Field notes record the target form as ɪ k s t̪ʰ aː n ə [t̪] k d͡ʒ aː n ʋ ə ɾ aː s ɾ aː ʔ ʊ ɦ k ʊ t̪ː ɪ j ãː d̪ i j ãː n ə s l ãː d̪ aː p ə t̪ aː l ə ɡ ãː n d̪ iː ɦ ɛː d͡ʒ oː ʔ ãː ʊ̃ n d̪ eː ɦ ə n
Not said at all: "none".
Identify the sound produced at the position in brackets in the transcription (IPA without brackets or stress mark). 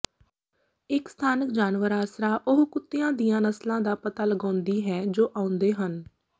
none